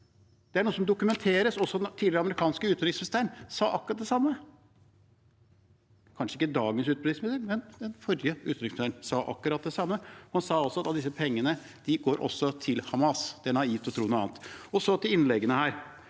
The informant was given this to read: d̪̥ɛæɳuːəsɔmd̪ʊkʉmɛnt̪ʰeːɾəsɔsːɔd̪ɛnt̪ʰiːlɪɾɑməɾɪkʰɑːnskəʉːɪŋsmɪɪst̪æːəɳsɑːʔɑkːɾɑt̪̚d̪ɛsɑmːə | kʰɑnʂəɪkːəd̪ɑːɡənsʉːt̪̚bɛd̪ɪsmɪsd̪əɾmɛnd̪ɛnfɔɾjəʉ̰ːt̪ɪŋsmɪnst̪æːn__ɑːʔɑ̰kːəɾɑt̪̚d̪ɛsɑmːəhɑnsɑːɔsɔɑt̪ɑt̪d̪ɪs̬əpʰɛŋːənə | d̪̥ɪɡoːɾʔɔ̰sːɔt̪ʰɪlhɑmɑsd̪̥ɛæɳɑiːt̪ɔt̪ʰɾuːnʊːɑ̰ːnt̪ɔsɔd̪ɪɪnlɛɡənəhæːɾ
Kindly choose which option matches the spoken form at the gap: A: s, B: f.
A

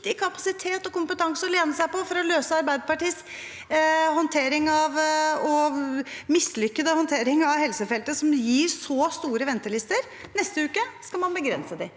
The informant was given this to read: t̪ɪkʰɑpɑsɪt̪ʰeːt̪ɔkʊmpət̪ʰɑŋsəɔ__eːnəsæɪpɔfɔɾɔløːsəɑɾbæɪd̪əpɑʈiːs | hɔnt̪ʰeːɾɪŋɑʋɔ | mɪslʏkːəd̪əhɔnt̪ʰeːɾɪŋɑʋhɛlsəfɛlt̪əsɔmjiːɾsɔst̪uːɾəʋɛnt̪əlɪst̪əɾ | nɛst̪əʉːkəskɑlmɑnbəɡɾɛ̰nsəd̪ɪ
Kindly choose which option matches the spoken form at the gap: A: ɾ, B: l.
B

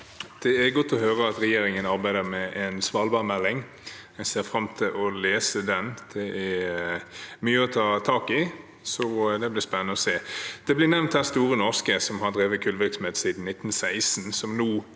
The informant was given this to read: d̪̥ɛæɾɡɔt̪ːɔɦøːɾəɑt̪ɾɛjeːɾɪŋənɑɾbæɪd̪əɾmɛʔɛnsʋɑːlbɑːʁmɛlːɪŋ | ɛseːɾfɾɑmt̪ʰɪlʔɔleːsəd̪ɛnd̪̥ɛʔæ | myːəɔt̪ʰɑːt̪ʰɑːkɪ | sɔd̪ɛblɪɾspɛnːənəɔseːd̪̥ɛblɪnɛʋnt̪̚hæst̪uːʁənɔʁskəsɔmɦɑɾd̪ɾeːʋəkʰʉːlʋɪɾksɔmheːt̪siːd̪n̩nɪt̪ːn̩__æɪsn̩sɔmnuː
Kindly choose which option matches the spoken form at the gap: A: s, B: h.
A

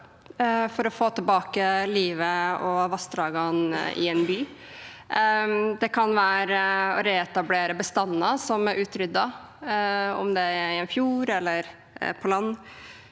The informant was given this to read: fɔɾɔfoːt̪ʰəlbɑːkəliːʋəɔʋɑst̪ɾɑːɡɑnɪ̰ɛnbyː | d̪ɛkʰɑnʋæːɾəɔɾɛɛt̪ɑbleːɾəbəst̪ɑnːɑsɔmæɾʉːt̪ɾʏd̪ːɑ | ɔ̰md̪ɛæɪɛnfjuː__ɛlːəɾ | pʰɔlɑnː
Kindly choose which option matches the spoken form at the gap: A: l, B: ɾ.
B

